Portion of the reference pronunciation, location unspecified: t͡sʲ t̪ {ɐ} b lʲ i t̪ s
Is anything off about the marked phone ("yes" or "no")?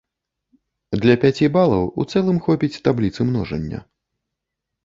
yes